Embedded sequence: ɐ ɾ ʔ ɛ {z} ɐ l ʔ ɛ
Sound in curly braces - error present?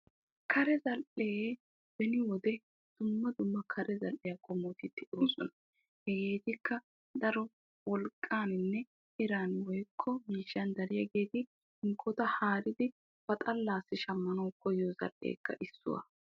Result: no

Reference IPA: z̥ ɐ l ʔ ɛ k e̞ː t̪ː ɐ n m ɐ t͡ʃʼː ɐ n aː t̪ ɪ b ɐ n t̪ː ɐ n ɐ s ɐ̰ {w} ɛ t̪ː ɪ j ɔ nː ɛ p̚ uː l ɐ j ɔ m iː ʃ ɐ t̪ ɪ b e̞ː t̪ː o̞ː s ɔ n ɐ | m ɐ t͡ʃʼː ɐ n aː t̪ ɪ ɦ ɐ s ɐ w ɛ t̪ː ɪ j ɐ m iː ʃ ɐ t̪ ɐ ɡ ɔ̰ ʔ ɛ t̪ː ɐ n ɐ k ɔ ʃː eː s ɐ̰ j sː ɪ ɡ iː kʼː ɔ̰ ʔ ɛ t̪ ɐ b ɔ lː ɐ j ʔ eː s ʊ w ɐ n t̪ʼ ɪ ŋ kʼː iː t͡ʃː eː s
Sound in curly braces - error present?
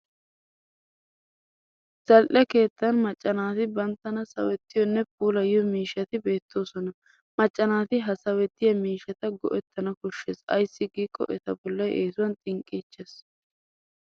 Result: no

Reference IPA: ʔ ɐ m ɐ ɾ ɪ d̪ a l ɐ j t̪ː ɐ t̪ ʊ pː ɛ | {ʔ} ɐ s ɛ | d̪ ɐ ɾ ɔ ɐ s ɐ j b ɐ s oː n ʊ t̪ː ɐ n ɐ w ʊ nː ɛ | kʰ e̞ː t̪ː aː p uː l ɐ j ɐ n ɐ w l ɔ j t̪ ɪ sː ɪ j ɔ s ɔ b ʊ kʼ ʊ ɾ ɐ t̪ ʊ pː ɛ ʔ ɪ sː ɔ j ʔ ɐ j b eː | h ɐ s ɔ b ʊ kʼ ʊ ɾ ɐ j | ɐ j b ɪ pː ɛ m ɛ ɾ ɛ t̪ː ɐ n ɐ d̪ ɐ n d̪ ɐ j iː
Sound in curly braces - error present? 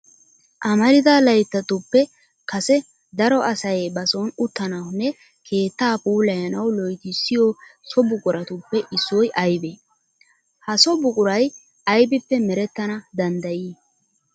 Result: yes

